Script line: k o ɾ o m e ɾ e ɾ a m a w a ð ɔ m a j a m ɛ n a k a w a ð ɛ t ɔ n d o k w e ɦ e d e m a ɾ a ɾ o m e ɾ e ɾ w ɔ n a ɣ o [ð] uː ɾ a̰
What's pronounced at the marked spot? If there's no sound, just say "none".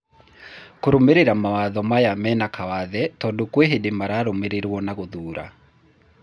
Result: ð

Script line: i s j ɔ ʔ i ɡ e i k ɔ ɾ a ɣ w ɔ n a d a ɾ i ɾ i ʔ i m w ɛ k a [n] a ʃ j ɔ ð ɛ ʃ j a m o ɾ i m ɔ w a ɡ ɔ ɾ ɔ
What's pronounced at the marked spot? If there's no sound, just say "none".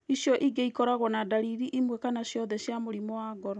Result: n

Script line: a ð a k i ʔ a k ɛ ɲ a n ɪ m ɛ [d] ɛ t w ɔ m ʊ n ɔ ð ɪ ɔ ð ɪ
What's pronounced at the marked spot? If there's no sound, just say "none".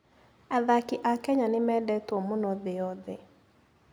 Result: d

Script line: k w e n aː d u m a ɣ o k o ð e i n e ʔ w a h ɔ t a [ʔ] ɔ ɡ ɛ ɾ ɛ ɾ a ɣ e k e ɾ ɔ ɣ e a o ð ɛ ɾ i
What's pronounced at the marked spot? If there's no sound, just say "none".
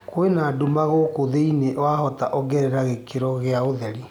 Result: ʔ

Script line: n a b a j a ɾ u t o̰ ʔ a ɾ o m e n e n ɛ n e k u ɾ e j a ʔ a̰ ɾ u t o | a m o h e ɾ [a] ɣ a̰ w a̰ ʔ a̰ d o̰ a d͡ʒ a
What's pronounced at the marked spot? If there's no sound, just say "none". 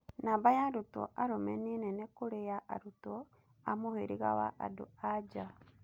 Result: i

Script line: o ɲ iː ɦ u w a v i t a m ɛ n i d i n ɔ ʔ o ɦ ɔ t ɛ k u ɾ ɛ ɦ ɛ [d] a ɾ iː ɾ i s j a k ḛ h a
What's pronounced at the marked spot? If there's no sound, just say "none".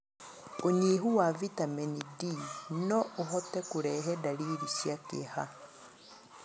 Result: d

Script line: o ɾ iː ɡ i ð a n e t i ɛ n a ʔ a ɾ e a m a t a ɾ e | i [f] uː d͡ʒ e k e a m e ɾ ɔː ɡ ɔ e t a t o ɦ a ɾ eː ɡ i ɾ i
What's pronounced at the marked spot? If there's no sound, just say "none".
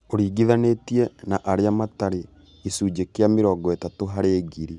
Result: s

